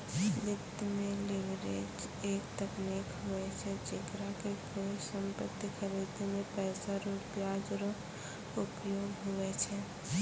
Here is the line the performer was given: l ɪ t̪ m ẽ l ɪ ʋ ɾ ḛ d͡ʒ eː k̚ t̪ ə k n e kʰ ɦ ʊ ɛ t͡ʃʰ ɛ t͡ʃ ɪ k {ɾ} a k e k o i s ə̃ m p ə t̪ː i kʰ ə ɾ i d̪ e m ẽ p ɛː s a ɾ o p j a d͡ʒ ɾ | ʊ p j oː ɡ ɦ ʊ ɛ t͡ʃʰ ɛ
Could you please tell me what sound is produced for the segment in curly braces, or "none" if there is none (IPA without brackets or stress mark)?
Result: ɾ